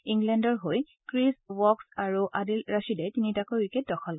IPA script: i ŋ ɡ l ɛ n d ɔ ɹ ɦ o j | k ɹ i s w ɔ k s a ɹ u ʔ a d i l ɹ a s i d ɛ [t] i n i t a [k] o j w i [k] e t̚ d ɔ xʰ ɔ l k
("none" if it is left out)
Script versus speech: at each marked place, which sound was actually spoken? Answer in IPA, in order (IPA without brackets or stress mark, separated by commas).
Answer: t, k, k